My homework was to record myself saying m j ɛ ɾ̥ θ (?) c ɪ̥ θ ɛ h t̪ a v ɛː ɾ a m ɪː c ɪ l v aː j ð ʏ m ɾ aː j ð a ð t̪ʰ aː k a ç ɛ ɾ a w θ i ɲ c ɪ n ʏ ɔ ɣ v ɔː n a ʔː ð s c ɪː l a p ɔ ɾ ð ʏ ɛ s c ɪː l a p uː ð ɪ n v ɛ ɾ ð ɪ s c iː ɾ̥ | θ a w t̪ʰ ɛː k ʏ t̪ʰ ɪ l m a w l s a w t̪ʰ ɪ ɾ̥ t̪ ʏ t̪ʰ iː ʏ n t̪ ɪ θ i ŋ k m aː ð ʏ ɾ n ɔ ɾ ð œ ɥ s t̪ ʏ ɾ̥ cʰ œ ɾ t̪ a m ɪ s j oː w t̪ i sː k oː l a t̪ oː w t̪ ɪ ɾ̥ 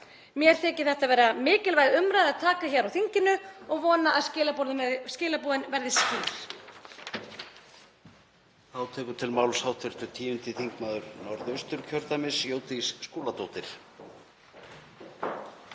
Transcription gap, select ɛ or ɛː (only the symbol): ɛː